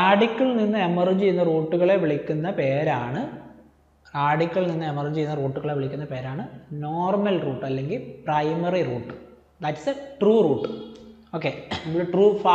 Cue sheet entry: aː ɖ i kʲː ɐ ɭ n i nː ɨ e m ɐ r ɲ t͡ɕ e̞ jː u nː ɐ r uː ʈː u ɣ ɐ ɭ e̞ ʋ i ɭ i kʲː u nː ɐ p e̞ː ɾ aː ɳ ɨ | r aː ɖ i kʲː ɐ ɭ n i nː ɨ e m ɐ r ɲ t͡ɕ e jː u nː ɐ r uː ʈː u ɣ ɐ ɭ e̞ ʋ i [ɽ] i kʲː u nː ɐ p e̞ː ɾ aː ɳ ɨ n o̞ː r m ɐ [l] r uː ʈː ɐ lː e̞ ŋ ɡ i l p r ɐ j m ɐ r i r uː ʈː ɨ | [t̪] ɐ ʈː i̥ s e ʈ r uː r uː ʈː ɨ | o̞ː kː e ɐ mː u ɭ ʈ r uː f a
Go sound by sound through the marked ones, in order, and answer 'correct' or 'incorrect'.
incorrect: ɭ, correct, incorrect: d̪

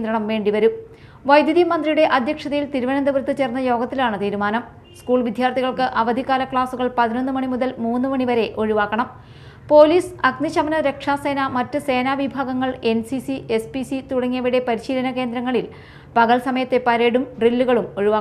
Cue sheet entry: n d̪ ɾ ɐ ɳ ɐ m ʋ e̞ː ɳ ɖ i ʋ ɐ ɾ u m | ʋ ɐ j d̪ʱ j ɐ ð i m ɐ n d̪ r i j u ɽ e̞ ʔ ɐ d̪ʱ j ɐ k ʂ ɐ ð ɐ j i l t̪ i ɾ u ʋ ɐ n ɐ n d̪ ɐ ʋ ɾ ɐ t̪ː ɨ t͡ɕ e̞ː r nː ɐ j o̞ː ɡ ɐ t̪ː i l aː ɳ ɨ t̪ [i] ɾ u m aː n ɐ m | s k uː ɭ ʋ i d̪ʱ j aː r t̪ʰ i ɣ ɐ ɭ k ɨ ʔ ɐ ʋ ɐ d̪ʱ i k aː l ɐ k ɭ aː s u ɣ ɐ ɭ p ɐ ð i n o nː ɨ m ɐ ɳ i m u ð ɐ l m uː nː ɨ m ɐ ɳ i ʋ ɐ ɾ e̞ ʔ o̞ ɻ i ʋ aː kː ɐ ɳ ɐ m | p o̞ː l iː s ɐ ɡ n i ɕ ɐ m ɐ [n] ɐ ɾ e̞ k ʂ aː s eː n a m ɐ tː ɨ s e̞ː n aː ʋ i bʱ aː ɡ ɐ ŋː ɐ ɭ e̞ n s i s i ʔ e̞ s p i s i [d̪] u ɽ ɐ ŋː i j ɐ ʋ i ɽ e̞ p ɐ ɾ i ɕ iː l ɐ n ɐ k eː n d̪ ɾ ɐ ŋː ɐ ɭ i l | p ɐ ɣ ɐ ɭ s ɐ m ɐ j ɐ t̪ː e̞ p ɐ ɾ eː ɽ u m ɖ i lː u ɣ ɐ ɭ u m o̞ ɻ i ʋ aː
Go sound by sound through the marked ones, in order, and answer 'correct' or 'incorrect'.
incorrect: iː, correct, incorrect: t̪

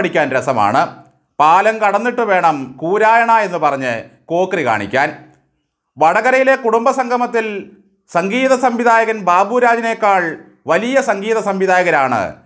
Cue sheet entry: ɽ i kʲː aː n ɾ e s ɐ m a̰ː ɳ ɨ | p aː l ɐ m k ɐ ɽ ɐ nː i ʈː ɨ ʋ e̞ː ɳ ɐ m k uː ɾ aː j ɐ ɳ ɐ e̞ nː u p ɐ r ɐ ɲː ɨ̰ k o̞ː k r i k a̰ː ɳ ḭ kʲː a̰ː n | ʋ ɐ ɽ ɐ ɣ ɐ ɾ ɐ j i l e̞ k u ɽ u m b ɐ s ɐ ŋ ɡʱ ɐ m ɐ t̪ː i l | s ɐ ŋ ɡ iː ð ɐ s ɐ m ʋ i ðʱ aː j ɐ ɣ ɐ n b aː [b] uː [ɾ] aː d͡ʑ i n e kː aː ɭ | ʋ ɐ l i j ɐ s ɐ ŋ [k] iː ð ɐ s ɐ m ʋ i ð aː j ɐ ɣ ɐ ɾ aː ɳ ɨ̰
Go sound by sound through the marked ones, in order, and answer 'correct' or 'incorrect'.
correct, correct, incorrect: ɡ

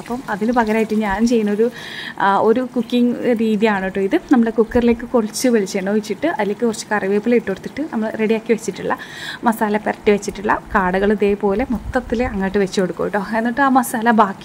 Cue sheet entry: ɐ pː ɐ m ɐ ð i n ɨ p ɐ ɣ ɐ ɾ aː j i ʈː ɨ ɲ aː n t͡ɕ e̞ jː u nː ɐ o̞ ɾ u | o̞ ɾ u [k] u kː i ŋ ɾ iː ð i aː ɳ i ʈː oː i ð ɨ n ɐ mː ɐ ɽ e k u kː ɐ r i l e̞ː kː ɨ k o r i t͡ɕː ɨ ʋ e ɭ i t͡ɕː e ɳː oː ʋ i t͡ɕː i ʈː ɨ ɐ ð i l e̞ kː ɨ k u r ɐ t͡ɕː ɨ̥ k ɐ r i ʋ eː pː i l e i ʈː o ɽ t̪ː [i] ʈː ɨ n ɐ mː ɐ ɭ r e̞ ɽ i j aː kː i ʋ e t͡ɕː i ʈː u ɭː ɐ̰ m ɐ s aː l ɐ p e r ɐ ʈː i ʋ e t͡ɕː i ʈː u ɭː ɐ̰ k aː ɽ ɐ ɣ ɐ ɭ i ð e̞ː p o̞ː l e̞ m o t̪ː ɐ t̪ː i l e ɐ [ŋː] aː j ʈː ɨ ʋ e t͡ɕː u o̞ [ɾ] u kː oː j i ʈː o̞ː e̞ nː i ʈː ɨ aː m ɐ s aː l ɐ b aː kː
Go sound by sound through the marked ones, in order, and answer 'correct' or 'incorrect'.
correct, correct, correct, incorrect: ɽ

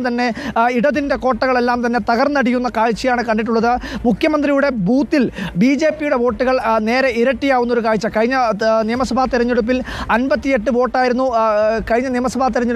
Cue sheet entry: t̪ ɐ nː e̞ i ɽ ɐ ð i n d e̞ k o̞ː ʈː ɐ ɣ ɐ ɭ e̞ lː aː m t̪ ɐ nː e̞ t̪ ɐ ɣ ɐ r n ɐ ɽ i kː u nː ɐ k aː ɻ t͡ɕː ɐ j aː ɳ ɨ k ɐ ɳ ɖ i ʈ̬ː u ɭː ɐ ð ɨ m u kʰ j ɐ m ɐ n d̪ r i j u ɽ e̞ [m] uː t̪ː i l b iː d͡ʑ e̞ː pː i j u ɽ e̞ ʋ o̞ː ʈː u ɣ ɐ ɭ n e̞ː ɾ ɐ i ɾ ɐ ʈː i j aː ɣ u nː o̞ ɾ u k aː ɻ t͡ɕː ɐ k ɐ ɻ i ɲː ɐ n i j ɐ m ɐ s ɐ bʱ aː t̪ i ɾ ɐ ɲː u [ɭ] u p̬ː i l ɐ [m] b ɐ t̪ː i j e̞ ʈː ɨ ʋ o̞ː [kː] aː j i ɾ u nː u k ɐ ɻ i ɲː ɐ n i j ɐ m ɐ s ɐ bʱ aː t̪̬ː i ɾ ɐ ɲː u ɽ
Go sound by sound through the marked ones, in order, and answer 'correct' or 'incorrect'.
incorrect: b, incorrect: ɽ, incorrect: n, incorrect: ʈː

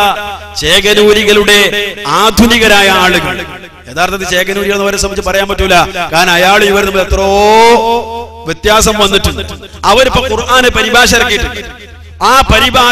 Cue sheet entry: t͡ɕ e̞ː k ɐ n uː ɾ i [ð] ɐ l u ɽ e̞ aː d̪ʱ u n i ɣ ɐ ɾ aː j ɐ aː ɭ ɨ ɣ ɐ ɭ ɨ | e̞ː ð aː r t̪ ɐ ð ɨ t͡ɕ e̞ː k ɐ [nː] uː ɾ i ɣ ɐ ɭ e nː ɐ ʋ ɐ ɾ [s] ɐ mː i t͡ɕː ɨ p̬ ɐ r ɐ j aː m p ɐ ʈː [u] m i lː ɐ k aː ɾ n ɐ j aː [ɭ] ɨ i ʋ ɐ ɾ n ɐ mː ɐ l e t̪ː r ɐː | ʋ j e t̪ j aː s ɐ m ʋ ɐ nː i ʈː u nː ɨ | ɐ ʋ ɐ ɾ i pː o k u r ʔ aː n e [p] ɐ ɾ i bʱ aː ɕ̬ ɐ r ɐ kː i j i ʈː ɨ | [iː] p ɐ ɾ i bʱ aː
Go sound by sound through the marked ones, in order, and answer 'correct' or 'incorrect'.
incorrect: ɣ, incorrect: n, correct, correct, correct, correct, incorrect: aː

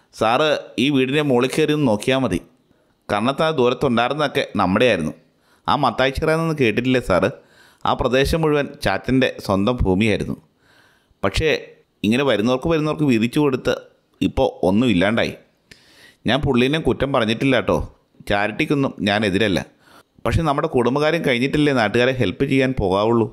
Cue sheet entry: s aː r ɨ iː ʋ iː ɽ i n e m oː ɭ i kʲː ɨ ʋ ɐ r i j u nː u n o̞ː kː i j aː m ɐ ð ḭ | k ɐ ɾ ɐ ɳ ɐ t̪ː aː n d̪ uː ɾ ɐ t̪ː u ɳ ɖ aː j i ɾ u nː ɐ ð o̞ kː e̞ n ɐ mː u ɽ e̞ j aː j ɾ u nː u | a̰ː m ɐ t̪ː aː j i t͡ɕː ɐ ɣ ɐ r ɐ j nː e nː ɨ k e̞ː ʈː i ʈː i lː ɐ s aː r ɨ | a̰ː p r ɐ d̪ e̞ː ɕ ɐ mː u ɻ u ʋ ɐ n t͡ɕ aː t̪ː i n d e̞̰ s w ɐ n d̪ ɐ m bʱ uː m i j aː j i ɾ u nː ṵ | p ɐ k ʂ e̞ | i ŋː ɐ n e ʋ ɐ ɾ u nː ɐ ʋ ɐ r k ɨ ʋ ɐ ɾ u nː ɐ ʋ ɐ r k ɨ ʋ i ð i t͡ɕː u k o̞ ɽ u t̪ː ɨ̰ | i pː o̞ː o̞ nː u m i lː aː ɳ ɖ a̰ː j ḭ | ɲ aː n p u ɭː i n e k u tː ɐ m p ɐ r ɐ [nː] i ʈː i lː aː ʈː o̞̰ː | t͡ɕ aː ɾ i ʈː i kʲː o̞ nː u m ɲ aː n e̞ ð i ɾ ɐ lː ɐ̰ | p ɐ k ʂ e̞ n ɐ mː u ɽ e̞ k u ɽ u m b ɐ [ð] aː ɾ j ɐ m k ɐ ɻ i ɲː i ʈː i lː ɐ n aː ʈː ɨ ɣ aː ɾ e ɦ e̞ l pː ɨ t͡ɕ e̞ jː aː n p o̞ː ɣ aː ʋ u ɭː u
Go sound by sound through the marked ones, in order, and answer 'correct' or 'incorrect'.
incorrect: ɲː, incorrect: ɣ

